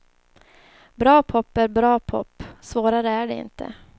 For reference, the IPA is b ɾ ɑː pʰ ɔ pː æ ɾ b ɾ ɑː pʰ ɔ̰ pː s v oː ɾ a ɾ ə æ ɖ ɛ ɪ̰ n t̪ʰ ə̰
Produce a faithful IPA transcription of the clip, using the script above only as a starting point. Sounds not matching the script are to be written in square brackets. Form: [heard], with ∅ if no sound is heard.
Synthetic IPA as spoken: b ɾ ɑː pʰ ɔ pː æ ɾ b ɾ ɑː pʰ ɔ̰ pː s v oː ɾ a ɾ ə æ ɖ ɛ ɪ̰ n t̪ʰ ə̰